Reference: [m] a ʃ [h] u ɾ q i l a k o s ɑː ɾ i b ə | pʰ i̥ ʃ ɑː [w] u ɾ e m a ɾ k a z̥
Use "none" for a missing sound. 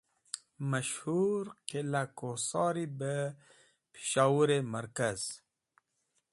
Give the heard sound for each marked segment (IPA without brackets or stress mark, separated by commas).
m, h, w